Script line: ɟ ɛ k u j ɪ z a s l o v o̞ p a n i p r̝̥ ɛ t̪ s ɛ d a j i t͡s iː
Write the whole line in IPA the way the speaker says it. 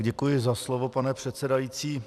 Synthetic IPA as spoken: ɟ ɛ k u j ɪ z a s l o v o̞ p a n ɛ p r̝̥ ɛ t̪ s ɛ d a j i t͡s iː